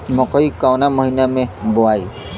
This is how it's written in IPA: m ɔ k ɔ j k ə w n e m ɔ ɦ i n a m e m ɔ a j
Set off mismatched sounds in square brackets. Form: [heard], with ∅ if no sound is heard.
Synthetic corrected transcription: m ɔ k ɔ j k [a] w n [a] m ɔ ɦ i n a m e [b] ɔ a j